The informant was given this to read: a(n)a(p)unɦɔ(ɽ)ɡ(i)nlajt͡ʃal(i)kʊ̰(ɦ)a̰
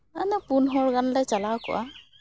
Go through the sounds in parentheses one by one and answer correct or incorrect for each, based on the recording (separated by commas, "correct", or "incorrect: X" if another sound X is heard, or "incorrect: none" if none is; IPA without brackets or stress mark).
correct, correct, incorrect: ɹ, incorrect: a, incorrect: a, incorrect: none